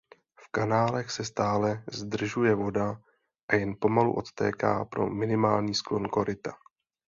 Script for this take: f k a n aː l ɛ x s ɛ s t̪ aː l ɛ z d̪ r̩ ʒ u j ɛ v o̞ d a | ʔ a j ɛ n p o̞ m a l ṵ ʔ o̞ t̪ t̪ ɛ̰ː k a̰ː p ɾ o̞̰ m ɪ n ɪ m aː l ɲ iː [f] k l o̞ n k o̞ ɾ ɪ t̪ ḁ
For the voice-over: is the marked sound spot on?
no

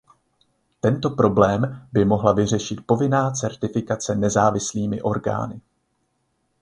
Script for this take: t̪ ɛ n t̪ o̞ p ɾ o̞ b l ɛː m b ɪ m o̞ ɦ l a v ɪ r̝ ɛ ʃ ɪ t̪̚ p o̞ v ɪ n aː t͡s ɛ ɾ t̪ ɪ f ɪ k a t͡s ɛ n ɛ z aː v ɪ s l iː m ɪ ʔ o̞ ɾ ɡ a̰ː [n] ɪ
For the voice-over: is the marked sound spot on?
yes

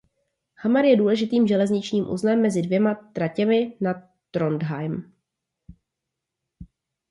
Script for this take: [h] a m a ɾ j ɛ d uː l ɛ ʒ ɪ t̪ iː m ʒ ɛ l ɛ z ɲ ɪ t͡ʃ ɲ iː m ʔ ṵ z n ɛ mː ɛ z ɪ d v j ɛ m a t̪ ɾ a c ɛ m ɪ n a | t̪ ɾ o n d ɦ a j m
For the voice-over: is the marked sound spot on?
yes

